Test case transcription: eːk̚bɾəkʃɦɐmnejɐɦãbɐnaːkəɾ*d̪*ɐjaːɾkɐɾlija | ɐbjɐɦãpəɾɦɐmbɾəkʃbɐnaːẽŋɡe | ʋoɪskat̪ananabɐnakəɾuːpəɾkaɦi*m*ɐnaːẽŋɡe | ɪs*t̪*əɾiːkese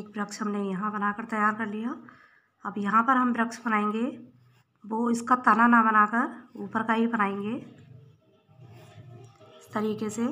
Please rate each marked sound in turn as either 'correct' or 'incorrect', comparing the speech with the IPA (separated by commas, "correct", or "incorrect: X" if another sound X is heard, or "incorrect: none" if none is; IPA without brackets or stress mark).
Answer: incorrect: t̪, incorrect: b, correct